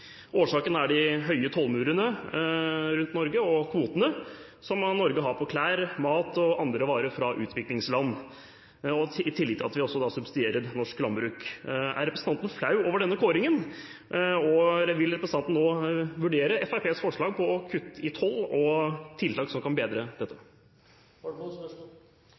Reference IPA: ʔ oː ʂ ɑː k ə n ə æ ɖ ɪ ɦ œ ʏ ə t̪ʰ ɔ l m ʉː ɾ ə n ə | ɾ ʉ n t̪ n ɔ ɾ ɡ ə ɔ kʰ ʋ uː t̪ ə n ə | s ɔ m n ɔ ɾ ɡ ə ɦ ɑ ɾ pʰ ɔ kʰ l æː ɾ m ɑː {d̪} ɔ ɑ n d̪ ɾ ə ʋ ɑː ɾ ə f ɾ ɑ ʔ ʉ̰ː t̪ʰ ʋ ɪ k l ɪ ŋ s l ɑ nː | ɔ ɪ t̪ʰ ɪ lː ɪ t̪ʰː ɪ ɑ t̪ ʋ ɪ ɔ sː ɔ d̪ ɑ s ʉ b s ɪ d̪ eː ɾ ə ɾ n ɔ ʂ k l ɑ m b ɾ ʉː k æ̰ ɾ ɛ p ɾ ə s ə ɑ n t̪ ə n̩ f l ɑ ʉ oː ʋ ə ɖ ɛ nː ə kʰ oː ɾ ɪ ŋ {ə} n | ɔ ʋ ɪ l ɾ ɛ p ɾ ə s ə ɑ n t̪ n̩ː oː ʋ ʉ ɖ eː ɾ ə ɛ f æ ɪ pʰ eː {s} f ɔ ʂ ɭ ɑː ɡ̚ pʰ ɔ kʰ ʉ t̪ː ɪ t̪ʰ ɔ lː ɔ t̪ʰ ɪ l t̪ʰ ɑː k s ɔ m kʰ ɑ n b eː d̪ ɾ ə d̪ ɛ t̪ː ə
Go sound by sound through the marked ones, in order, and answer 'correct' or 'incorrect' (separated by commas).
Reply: incorrect, correct, correct